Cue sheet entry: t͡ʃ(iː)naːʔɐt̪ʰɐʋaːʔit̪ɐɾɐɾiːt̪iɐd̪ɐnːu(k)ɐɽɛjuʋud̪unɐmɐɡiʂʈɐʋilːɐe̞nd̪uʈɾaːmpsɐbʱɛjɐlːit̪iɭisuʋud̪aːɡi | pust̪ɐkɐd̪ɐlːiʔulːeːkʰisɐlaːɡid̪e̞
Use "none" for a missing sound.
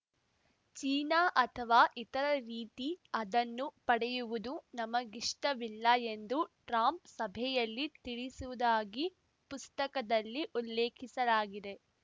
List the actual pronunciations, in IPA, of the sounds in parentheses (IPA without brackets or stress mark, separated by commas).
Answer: iː, p